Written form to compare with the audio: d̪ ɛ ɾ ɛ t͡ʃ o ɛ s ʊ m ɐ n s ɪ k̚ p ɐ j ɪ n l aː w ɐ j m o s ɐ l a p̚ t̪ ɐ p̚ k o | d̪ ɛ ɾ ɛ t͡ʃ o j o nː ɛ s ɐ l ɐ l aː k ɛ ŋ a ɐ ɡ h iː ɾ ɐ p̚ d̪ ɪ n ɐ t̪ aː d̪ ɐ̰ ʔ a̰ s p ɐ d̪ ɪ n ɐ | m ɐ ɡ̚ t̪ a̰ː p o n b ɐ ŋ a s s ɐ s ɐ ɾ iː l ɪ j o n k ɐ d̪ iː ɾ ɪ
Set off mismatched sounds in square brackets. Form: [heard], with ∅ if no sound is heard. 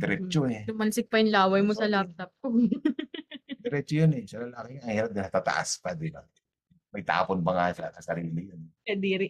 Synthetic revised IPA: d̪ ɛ ɾ ɛ t͡ʃ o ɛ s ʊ m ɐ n s ɪ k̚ p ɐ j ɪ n l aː w ɐ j m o s ɐ l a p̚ t̪ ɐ p̚ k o | d̪ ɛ ɾ ɛ t͡ʃ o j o [n] ɛ s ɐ l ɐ l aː k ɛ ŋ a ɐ [ŋ] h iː ɾ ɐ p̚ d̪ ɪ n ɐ t̪ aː [t̪] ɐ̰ ʔ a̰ s p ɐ d̪ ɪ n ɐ | m ɐ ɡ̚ t̪ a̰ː p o n b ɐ ŋ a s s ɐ s ɐ ɾ iː l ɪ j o n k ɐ d̪ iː ɾ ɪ